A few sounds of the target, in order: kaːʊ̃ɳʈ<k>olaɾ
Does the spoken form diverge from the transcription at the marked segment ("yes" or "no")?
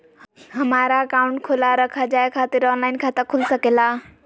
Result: yes